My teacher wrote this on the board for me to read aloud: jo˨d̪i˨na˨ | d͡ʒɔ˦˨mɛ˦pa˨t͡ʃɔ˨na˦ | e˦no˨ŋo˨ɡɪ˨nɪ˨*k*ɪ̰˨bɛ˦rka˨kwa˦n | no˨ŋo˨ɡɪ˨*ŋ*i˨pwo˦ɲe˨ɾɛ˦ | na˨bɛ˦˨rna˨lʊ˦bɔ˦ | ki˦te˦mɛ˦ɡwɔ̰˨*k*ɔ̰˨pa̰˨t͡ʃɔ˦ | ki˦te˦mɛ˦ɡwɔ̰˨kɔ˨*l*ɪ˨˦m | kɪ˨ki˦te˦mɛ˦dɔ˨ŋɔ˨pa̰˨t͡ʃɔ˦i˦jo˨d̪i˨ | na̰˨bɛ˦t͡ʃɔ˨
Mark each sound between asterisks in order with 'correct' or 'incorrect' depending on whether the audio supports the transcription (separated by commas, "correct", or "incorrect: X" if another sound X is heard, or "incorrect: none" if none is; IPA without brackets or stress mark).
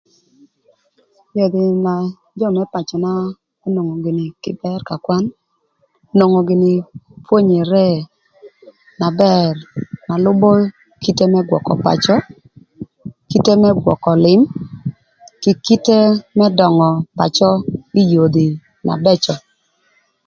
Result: correct, incorrect: n, correct, correct